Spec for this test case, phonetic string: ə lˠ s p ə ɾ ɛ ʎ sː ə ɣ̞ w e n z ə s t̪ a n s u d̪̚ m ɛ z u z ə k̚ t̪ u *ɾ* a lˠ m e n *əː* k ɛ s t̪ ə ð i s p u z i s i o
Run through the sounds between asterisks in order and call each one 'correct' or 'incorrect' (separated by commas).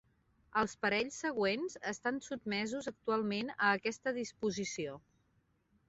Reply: incorrect, correct